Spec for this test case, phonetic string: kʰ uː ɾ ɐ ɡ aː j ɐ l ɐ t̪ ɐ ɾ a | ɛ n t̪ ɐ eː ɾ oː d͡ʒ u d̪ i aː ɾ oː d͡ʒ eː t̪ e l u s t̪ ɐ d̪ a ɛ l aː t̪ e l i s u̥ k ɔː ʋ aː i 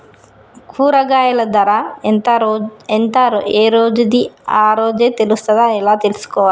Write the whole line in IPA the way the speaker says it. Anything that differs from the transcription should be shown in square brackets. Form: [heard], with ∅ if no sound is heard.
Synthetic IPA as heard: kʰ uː ɾ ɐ ɡ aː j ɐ l ɐ [d̪] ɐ ɾ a | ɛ n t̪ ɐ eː ɾ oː d͡ʒ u d̪ i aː ɾ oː d͡ʒ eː t̪ e l u s t̪ ɐ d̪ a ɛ l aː t̪ e l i s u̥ k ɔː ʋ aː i